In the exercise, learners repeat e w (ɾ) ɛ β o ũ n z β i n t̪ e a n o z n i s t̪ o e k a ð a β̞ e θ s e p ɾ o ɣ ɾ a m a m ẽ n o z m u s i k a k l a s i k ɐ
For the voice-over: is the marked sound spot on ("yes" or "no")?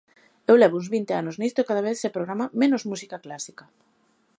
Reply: no